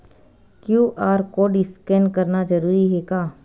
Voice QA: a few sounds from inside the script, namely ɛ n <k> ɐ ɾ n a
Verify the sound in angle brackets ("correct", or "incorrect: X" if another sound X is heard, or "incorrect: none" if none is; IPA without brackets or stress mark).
correct